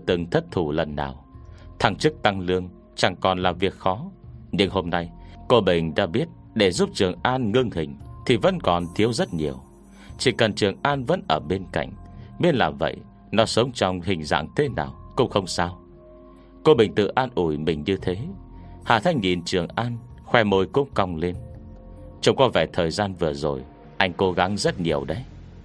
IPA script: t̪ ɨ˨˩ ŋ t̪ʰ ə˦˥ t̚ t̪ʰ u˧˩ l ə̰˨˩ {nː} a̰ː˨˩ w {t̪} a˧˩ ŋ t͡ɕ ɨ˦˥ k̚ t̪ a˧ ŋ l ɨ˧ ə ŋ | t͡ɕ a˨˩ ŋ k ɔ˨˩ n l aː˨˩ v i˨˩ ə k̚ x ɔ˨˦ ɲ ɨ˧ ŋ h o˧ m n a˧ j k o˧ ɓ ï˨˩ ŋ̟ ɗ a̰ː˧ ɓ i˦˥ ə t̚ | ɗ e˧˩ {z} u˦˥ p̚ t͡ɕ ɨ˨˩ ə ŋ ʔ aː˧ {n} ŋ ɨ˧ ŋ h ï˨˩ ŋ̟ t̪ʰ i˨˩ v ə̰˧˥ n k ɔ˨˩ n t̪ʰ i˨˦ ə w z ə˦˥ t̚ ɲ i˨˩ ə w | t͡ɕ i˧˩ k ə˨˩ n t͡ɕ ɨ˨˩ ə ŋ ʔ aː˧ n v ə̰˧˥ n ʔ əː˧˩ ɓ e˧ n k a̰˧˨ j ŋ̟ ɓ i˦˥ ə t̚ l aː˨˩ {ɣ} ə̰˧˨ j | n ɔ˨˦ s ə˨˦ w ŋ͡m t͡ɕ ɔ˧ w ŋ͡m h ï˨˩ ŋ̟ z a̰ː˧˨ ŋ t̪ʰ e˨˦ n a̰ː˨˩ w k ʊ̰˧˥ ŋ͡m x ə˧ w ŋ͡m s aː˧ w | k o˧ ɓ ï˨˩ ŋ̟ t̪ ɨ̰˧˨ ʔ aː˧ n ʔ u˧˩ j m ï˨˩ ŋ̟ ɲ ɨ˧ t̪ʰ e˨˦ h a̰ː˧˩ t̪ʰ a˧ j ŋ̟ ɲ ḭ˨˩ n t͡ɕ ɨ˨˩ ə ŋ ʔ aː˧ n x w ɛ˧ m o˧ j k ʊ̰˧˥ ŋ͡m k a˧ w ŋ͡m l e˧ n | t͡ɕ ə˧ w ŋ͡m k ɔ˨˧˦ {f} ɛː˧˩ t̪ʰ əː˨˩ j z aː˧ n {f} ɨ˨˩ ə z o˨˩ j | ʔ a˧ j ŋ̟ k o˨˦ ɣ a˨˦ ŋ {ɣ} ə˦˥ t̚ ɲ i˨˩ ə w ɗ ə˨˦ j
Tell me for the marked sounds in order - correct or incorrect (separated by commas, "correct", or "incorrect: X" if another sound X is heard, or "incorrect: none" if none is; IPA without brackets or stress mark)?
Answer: correct, incorrect: t̪ʰ, correct, correct, incorrect: v, incorrect: v, incorrect: v, incorrect: z